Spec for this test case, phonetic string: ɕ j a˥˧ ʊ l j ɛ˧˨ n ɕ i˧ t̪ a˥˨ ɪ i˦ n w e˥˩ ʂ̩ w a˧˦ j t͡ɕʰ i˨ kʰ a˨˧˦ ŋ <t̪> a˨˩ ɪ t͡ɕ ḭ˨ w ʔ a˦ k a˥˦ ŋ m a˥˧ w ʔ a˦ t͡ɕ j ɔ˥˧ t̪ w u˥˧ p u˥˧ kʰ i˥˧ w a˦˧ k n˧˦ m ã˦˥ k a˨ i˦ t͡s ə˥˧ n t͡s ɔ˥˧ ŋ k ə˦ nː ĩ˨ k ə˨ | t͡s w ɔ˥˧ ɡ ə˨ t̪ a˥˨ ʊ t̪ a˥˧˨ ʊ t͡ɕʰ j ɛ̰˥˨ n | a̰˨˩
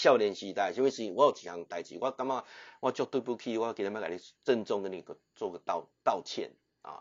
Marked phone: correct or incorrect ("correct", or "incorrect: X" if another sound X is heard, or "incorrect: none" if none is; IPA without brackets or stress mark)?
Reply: correct